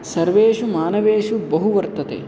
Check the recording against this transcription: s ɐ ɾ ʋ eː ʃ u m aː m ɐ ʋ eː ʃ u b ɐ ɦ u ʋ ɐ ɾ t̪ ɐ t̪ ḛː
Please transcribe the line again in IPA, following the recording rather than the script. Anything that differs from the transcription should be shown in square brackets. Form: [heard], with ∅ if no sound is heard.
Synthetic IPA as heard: s ɐ ɾ ʋ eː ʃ u m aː [n] ɐ ʋ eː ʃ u b ɐ ɦ u ʋ ɐ ɾ t̪ ɐ t̪ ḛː